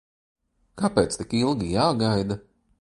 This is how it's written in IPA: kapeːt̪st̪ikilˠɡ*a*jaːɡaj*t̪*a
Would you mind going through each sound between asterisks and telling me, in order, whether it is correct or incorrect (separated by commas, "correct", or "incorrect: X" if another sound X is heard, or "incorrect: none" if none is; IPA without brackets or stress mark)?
incorrect: i, incorrect: d̪